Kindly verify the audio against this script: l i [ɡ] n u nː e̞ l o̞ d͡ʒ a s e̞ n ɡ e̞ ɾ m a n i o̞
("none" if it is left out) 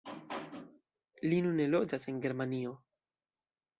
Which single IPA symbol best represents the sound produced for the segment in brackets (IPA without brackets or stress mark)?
none